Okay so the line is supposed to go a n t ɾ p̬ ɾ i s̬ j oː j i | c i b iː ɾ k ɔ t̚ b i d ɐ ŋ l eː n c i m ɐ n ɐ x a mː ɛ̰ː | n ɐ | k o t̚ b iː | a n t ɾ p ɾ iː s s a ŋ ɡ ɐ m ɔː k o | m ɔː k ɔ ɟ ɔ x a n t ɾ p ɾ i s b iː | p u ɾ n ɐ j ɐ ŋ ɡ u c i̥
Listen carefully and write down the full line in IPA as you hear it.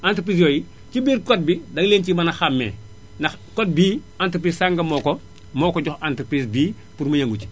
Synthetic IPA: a n t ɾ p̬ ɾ i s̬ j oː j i | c i b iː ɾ k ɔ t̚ b i d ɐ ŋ l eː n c i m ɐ n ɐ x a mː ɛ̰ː | n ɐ | k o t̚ b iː | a n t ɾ p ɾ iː s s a ŋ ɡ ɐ m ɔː k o | m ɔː k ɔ ɟ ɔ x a n t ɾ p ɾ i s b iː | p u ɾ m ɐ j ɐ ŋ ɡ u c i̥

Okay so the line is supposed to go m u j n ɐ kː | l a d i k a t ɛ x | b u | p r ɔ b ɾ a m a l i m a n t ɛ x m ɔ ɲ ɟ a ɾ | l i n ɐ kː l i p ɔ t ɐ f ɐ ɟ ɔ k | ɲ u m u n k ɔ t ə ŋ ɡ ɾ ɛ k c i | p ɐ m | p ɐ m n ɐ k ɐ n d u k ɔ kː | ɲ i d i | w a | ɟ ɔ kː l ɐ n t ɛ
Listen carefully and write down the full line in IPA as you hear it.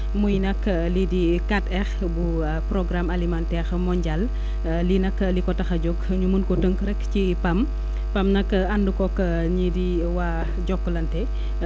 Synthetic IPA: m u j n ɐ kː | l i d i k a t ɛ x | b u | p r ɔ ɡ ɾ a m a l i m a n t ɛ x m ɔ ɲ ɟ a l | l i n ɐ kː l i k ɔ t ɐ x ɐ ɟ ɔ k | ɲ u m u n k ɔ t ə ŋ k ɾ ɛ k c i | p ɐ m | p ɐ m n ɐ k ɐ n d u k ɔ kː | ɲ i d i | w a | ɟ ɔ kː l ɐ n t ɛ

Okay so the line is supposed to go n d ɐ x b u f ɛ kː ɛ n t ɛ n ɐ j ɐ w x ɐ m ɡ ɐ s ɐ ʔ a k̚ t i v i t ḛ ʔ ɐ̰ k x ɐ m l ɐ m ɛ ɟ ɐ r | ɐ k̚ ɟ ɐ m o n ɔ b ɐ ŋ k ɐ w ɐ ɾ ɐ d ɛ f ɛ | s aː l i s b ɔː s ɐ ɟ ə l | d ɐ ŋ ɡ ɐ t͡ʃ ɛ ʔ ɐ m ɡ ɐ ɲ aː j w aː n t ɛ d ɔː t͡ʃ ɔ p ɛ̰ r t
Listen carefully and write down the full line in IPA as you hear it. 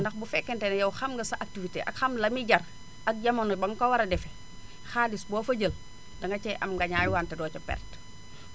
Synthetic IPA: n d ɐ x b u f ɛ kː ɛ n t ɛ n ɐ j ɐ w x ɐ m ɡ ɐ s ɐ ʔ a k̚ t i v i t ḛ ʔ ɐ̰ k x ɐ m l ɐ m i ɟ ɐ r | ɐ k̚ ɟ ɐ m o n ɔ b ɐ ŋ k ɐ w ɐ ɾ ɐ d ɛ f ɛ | x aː l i s b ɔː f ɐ ɟ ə l | d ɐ ŋ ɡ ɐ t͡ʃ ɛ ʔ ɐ m ɡ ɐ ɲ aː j w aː n t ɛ d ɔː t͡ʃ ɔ p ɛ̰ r t

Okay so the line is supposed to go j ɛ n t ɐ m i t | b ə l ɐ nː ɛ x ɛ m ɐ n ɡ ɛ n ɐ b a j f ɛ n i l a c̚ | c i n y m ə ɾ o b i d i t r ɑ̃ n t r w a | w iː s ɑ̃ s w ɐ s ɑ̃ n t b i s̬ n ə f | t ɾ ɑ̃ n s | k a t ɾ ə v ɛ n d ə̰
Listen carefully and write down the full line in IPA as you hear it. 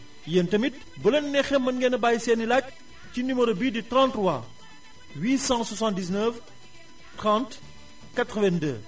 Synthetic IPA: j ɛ n t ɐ m i t | b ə l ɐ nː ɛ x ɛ m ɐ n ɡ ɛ n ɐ b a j s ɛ n i l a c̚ | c i n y m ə ɾ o b i d i t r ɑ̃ n t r w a | w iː s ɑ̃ s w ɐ s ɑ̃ n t d i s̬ n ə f | t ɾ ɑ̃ n t | k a t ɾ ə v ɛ n d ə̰

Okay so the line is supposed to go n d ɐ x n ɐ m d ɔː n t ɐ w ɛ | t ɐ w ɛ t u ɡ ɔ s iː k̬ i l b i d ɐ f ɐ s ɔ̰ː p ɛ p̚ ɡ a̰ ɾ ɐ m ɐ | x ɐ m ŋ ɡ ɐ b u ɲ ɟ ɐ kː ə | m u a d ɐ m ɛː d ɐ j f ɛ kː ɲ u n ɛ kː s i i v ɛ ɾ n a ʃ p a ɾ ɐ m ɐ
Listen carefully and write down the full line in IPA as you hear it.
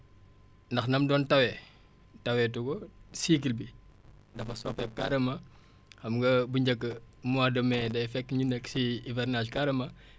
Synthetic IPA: n d ɐ x n ɐ m d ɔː n t ɐ w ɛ | t ɐ w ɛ t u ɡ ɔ s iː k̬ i l b i d ɐ f ɐ s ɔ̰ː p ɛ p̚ k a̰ ɾ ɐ m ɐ | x ɐ m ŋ ɡ ɐ b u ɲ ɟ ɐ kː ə | m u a d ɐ m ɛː d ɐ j f ɛ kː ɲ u n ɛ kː s i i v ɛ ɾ n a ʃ k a ɾ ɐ m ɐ

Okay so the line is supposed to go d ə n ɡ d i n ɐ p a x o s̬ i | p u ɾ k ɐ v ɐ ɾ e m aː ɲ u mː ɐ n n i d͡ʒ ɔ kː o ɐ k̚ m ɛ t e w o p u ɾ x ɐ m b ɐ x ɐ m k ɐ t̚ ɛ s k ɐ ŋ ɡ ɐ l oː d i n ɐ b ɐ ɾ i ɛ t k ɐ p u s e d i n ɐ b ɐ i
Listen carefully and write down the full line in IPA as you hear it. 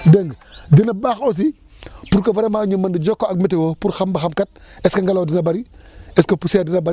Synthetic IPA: d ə ŋ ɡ d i n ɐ b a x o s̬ i | p u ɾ k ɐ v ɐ ɾ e m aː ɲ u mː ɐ n d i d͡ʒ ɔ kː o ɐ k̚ m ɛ t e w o p u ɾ x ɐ m b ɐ x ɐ m k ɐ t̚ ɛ s k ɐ ŋ ɡ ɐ l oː d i n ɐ b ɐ ɾ i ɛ s k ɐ p u s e d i n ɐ b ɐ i

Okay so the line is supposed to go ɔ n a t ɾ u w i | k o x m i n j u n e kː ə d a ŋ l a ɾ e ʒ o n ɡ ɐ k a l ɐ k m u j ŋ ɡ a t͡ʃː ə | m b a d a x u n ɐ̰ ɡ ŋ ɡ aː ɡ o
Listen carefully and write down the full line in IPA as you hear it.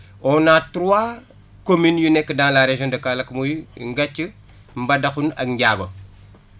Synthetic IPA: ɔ n a t ɾ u w a | k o m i n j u n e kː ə d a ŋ l a ɾ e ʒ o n d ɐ k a l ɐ k m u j ŋ ɡ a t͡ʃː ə | m b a d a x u n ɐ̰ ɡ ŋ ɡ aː ɡ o

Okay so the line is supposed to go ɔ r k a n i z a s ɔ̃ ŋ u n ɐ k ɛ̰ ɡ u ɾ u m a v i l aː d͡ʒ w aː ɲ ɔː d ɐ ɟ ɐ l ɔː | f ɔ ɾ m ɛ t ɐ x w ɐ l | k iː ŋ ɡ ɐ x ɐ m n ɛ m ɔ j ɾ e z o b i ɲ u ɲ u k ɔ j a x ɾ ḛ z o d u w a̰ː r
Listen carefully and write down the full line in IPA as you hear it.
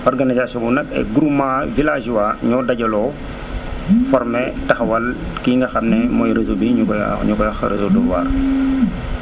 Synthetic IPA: ɔ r ɡ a n i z a s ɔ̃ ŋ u n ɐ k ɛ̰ ɡ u ɾ u m a v i l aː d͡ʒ w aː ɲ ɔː d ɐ ɟ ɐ l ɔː | f ɔ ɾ m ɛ t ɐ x w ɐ l | k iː ŋ ɡ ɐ x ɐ m n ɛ m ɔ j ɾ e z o b i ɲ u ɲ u k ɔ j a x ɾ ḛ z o d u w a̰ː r

